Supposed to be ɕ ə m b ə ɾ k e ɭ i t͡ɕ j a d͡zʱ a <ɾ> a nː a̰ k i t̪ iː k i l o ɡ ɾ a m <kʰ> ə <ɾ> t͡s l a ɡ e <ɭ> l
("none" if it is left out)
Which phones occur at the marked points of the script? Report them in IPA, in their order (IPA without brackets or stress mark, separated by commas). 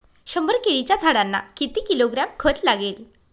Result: ɽ, kʰ, none, none